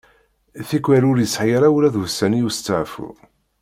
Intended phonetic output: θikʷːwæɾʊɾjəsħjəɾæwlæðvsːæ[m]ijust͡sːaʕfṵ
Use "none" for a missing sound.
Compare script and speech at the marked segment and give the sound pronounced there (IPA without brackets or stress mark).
n